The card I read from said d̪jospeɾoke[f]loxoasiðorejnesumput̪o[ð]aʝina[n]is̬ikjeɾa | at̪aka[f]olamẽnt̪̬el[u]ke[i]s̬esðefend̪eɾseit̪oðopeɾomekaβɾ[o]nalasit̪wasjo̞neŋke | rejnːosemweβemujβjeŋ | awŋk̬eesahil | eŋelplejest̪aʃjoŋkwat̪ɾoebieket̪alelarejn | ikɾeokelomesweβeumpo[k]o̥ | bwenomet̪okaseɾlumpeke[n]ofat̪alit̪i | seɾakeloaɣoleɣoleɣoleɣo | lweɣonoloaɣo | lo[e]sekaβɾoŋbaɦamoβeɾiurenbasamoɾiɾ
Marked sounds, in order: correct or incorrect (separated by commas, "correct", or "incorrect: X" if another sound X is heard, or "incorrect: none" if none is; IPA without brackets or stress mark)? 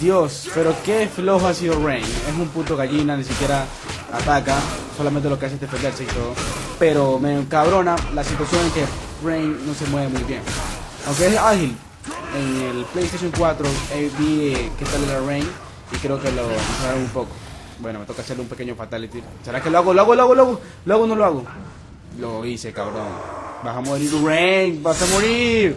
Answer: correct, incorrect: ɣ, correct, incorrect: s, incorrect: o, incorrect: a, correct, correct, incorrect: ɲ, incorrect: i